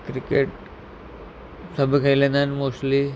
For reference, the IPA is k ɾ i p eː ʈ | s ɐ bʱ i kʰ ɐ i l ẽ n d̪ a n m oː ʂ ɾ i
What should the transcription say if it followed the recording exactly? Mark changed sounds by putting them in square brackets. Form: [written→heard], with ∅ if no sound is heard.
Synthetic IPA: k ɾ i [p→k] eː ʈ | s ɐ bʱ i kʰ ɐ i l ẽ n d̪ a n m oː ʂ [ɾ→l] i

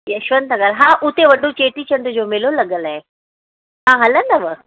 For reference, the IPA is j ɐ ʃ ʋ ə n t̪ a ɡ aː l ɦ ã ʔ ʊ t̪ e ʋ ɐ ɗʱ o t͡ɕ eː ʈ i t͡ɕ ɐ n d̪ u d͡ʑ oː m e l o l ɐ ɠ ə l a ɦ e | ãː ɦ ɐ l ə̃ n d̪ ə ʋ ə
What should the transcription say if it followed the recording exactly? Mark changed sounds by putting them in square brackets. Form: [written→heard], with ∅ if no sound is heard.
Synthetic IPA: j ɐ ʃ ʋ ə n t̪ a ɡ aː l ɦ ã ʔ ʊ t̪ e ʋ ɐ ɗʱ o t͡ɕ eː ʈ i t͡ɕ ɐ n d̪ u d͡ʑ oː m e l o l ɐ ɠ ə l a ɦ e | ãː ɦ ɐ l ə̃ n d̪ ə ʋ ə

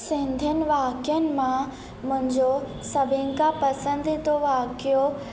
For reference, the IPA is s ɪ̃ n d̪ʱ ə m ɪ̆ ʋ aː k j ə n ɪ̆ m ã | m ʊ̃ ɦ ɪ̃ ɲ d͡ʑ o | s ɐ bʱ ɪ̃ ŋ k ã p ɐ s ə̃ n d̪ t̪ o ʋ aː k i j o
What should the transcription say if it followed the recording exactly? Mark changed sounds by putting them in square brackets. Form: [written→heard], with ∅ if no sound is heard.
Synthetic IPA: s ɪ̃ n d̪ʱ ə [m→n] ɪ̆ ʋ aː k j ə n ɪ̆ m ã | m ʊ̃ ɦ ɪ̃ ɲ d͡ʑ o | s ɐ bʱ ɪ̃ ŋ k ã p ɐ s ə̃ n d̪ t̪ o ʋ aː k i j o

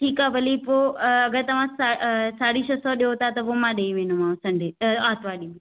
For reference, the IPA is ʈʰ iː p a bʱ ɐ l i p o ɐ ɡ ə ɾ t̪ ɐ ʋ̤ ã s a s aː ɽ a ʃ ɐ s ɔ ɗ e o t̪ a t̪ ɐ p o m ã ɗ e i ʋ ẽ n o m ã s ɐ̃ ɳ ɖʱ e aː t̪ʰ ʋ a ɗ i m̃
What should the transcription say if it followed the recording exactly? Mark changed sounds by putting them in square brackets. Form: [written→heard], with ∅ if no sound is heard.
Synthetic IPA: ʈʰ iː [p→k] a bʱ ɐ l i p o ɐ ɡ ə ɾ t̪ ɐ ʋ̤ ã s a s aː ɽ [a→i] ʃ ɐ s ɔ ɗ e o t̪ a t̪ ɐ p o m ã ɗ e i ʋ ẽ n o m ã s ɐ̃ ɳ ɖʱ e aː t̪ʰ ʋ a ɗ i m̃

